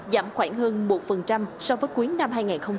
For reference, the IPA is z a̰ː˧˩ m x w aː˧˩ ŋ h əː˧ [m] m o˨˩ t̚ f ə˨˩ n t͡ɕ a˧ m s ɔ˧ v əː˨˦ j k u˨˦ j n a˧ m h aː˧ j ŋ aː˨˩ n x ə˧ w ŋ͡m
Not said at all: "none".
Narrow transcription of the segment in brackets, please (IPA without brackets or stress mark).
n